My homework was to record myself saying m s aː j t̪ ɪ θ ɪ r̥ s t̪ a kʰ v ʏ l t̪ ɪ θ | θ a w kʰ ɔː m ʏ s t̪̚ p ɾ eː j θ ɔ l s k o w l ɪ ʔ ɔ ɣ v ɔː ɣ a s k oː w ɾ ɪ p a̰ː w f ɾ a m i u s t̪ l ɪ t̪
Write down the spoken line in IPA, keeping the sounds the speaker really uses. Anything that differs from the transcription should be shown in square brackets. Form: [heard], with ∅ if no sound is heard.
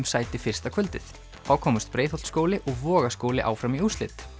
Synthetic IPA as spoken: m s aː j t̪ ɪ [f] ɪ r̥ s t̪ a kʰ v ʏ l t̪ ɪ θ | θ a w kʰ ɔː m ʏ s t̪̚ p ɾ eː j θ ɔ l s k o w l ɪ ʔ ɔ ɣ v ɔː ɣ a s k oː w [l] ɪ [ʔ] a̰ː w f ɾ a m i u s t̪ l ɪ t̪